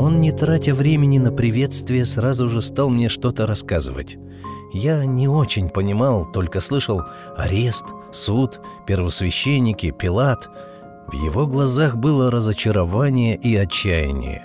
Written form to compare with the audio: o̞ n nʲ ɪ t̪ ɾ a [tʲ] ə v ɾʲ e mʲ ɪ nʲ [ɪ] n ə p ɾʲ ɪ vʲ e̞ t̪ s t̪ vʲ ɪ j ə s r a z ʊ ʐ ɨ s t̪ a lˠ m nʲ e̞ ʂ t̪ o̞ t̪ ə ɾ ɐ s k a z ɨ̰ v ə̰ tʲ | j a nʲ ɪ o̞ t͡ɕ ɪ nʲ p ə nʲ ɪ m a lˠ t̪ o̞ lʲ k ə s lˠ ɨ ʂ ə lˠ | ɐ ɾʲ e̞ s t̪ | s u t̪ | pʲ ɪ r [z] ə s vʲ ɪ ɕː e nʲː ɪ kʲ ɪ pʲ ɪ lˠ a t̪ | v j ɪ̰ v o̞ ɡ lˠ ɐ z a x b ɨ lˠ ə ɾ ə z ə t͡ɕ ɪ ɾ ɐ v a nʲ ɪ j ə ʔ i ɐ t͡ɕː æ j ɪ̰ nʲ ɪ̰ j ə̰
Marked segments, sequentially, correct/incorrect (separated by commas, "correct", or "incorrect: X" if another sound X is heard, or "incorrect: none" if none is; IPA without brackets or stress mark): correct, correct, incorrect: v